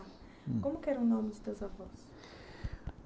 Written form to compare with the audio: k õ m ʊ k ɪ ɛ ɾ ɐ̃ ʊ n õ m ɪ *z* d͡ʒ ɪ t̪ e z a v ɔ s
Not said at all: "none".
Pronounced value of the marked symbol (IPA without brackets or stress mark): none